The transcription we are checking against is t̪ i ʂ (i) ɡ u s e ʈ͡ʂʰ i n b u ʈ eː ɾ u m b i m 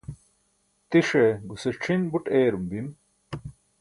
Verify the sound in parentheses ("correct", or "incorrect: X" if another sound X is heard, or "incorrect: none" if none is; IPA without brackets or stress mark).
incorrect: e